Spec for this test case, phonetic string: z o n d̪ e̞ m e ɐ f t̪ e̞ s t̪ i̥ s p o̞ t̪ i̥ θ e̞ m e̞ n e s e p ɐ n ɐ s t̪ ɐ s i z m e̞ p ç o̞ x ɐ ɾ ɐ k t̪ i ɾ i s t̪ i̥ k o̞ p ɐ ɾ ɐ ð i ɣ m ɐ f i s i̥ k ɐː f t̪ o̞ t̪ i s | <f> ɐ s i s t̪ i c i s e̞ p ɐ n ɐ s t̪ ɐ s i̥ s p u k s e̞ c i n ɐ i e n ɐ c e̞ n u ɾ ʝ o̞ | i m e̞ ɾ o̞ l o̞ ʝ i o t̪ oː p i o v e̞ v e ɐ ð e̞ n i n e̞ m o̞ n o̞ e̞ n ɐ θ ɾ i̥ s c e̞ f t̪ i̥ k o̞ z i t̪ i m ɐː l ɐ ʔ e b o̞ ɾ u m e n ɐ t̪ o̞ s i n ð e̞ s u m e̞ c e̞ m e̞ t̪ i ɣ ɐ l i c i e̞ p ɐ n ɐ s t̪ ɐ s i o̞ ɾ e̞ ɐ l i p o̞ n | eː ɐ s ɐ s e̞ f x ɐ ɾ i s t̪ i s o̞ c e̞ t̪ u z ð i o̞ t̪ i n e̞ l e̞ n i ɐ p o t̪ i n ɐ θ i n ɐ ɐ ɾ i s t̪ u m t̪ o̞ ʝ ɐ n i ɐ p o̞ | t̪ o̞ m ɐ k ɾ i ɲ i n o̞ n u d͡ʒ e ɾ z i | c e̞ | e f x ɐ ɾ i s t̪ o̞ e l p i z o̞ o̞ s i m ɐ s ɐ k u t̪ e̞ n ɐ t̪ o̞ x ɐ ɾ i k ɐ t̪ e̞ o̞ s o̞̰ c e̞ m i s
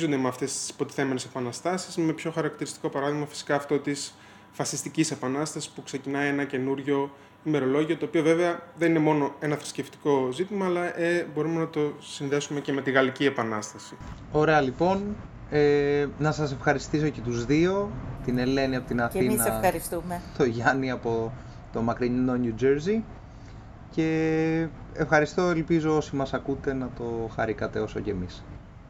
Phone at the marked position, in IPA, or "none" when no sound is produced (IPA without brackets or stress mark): f